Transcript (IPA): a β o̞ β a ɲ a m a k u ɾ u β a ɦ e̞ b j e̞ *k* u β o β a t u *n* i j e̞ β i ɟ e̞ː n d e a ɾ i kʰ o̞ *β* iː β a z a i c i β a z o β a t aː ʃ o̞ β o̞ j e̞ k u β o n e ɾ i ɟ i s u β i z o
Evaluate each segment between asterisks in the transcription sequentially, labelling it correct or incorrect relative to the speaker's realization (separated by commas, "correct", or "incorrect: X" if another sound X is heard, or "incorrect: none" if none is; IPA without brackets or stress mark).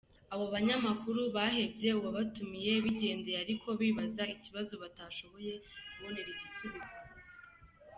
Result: incorrect: none, incorrect: m, correct